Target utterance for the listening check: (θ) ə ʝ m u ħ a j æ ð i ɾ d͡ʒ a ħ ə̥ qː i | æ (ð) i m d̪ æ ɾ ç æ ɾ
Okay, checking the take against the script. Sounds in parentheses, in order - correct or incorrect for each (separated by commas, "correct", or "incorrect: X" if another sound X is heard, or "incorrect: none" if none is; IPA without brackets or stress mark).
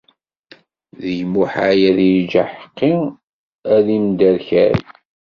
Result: incorrect: ð, correct